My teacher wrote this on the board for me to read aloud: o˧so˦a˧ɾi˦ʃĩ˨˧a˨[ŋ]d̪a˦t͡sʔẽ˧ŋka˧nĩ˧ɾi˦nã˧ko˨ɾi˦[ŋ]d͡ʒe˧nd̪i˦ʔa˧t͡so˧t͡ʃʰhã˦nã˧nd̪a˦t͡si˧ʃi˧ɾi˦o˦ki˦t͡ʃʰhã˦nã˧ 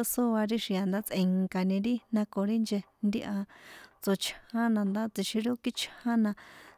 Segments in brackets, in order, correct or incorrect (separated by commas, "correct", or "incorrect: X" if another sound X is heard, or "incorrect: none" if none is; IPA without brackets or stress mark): incorrect: n, incorrect: n